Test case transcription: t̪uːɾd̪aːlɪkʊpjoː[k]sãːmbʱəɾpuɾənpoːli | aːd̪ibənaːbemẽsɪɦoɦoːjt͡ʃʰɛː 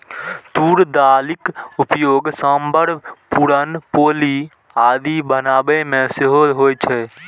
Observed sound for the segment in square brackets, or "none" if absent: ɡ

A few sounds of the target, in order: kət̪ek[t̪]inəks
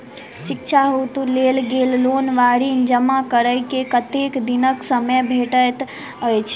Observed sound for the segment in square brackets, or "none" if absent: d̪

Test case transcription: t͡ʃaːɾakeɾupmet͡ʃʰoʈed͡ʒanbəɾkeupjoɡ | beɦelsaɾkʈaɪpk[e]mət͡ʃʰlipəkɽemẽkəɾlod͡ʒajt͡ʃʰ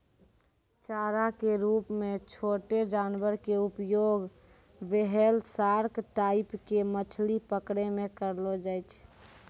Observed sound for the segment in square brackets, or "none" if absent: e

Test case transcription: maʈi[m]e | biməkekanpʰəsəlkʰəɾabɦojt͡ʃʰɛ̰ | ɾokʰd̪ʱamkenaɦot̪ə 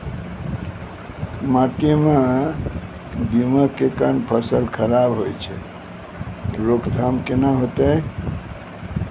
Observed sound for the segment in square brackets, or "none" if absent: m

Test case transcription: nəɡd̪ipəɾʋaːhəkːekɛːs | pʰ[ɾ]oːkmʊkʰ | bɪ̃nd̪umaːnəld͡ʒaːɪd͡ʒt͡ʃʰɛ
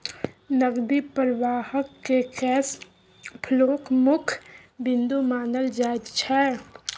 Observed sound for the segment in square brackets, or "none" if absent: l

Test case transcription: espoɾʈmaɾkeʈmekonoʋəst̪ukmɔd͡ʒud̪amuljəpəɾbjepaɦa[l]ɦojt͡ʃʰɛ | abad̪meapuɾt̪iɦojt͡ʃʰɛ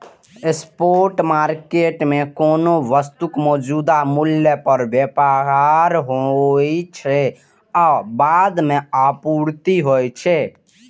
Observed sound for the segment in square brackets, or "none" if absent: ɾ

